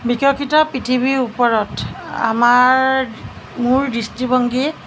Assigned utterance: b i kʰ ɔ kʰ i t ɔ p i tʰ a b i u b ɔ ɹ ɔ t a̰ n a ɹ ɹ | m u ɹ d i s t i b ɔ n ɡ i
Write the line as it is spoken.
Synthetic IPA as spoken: b i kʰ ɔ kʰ i t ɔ p i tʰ i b i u p ɔ ɹ ɔ t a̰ m a ɹ ɹ | m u ɹ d i s t i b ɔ ŋ ɡ i